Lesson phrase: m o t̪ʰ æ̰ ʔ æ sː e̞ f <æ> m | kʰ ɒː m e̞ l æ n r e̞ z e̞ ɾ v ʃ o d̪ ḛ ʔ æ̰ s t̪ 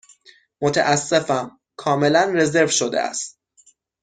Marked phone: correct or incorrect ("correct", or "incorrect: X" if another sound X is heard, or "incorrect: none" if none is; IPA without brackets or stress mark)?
correct